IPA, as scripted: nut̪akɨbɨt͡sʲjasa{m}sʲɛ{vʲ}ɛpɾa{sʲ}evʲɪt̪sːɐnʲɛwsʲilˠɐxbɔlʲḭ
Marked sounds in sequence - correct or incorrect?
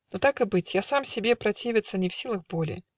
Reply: correct, incorrect: bʲ, incorrect: t͡sʲ

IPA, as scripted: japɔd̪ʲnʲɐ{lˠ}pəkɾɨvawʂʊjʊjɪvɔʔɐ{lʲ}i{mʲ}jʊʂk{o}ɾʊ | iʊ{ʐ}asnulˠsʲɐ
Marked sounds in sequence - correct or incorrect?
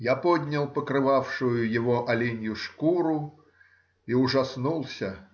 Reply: correct, correct, incorrect: nʲ, incorrect: u, correct

